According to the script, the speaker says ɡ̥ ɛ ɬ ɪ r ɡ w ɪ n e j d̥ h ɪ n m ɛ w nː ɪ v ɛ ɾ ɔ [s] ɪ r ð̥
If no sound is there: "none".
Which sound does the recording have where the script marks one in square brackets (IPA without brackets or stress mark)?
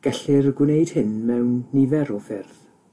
f